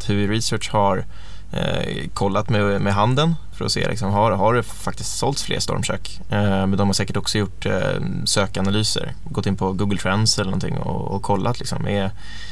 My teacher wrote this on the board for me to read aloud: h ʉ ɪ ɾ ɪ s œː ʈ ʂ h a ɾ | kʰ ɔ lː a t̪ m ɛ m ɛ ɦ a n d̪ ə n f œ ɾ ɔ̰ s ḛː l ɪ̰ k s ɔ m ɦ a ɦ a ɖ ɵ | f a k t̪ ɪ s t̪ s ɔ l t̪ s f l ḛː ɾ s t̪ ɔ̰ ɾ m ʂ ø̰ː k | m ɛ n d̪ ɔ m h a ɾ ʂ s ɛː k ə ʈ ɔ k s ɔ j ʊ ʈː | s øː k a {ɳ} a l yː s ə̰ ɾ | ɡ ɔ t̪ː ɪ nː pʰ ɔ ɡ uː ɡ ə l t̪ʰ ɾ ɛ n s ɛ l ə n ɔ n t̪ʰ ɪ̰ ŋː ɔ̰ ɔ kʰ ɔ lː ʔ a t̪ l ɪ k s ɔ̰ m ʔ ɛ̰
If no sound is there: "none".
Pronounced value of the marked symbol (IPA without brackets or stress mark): n